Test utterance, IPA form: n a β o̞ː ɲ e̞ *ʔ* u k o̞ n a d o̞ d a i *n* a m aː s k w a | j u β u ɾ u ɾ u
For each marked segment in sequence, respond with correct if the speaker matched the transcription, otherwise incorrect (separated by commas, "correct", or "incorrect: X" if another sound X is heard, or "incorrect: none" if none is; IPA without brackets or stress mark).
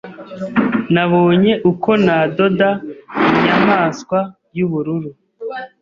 correct, incorrect: ɲ